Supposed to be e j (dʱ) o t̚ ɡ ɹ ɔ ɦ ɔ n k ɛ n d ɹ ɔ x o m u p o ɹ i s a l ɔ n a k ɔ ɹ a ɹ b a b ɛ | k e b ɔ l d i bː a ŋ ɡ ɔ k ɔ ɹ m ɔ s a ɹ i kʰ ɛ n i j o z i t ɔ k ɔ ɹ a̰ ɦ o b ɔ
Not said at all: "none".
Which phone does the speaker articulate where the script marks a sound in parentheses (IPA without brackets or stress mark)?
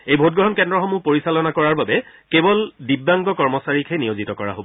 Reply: bʱ